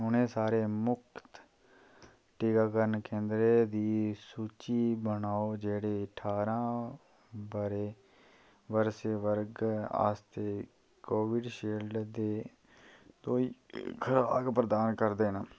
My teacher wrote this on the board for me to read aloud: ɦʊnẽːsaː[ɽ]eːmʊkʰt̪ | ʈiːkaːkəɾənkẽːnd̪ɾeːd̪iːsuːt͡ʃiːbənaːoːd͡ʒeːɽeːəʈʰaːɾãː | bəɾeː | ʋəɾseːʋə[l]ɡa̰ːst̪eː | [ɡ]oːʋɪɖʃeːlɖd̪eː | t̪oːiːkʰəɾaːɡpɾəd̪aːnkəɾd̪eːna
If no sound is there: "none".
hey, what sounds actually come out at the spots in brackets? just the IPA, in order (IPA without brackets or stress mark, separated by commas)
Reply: ɾ, ɾ, k